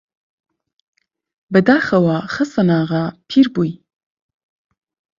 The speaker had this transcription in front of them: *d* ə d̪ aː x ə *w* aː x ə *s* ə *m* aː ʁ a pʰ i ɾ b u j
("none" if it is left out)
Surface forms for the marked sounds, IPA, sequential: b, w, s, n

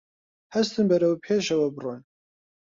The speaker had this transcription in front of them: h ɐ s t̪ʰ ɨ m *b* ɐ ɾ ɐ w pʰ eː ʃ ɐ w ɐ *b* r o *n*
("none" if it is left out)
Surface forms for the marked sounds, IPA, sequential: b, b, n

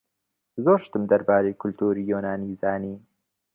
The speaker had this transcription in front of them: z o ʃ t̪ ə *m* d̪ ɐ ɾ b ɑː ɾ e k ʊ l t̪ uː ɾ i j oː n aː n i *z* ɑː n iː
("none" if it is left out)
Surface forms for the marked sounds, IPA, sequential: m, z

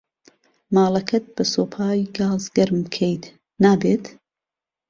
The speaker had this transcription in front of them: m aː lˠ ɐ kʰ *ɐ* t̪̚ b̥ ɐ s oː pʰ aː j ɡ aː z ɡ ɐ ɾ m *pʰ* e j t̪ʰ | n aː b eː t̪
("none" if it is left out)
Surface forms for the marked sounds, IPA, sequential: ɐ, kʰ

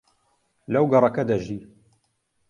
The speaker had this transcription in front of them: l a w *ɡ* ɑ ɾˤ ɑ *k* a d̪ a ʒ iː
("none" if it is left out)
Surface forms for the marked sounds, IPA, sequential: ɡ, k

